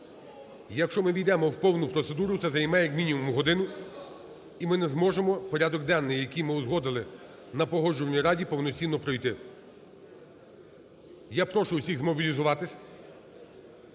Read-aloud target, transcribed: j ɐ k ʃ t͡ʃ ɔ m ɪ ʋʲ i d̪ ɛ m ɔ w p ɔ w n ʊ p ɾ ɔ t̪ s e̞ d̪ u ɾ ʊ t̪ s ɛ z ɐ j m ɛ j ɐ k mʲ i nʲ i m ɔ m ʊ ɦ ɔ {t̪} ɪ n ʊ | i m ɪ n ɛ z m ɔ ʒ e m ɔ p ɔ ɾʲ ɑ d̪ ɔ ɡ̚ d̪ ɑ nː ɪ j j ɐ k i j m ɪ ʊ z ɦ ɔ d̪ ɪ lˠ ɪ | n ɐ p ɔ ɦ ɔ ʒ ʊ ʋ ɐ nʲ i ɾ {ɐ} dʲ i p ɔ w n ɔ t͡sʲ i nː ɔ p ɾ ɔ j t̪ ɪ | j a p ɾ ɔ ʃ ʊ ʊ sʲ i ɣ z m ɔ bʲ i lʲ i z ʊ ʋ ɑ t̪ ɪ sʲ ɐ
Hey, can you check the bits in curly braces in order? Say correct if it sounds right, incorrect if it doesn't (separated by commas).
incorrect, incorrect